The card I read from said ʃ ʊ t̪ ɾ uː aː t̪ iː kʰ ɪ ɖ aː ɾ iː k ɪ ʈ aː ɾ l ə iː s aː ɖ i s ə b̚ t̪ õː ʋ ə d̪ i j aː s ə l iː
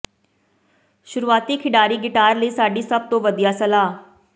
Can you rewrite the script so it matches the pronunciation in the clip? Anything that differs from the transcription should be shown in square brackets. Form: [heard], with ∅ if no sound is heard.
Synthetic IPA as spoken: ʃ ʊ [∅] ɾ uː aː t̪ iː kʰ ɪ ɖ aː ɾ iː [ɡ] ɪ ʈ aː ɾ l ə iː s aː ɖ [iː] s ə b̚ t̪ õː ʋ ə d̪ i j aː s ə l [aː]